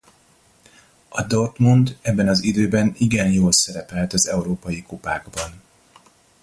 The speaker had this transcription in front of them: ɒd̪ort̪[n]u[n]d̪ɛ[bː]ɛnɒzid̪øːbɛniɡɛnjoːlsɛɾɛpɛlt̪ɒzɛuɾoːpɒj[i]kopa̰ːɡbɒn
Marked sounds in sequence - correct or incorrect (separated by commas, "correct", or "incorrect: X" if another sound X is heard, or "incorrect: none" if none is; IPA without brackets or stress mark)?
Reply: incorrect: m, correct, correct, correct